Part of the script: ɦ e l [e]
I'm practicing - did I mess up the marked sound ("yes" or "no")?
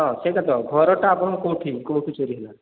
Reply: yes